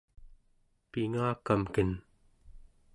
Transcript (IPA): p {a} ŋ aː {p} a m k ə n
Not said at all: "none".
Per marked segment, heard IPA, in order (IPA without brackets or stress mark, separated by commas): i, k